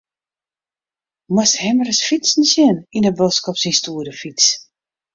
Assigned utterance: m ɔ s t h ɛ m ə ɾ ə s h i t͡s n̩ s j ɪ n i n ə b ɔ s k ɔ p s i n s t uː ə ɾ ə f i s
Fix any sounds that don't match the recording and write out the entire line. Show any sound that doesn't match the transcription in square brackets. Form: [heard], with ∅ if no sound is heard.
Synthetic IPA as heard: m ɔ s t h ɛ m ə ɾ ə s [f] i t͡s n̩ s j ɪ n i n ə b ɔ s k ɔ p s i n s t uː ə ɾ ə f i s